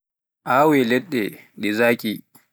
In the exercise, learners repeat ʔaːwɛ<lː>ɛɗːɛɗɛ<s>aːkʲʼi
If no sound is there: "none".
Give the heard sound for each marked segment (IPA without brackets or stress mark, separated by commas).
l, z